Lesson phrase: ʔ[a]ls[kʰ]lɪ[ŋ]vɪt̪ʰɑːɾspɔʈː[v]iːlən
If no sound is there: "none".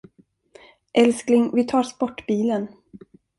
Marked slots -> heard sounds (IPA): ɛ, k, ŋ, b

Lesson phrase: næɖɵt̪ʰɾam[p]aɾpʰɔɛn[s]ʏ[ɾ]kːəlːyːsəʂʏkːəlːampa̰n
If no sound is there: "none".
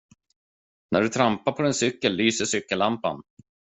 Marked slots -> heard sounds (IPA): p, s, none

